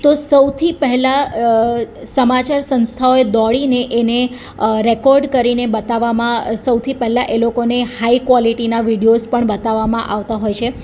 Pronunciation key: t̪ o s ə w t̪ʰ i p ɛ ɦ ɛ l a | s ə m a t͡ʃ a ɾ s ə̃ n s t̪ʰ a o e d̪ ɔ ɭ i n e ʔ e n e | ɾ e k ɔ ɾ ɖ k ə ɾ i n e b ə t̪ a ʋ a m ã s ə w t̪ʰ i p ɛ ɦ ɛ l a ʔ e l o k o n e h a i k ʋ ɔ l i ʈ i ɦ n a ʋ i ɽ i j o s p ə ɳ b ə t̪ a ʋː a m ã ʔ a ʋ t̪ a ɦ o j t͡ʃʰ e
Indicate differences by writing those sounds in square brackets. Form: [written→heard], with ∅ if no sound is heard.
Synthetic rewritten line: t̪ o s ə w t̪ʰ i p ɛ ɦ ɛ l a | s ə m a t͡ʃ a ɾ s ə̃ n s t̪ʰ a o e d̪ ɔ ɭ i n e ʔ e n e | ɾ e k ɔ ɾ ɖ k ə ɾ i n e b ə t̪ a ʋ a m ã s ə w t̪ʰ i p ɛ ɦ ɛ l a ʔ e l o k o n e h a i k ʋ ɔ l i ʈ i [ɦ→∅] n a ʋ i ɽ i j o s p ə ɳ b ə t̪ a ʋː a m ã ʔ a ʋ t̪ a ɦ o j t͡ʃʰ e